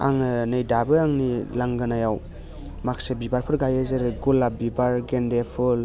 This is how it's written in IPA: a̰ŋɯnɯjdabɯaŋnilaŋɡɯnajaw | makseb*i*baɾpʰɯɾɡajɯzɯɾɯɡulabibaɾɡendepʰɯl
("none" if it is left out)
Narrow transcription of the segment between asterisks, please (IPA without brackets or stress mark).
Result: i